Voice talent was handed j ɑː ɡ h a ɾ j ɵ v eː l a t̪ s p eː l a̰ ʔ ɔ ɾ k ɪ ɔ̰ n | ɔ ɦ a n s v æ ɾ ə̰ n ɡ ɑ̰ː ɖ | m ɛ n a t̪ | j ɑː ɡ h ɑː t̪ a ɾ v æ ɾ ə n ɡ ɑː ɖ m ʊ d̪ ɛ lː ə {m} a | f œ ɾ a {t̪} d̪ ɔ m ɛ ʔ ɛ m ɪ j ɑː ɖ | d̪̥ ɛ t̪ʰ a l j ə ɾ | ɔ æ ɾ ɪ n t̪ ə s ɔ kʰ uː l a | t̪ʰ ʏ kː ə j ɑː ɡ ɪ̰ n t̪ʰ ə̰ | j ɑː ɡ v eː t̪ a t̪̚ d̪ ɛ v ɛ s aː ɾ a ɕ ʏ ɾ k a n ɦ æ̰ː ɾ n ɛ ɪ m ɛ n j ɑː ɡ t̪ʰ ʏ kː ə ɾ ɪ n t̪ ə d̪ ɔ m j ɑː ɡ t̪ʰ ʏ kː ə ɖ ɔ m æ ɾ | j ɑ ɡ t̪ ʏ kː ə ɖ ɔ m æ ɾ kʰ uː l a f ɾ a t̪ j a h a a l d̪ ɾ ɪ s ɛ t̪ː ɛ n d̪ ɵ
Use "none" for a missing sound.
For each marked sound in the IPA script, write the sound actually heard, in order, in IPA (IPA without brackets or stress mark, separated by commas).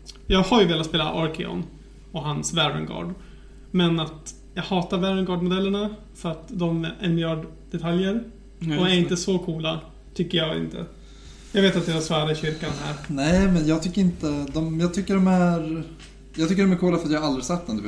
ɳ, t̪